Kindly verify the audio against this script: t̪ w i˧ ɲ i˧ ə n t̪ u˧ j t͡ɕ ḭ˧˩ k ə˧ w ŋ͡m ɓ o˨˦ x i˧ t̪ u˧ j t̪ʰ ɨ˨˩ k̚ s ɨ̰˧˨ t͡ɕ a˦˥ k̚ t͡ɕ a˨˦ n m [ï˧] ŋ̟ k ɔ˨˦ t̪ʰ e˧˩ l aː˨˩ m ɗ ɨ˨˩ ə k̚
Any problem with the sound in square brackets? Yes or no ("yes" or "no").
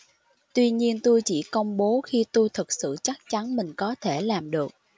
yes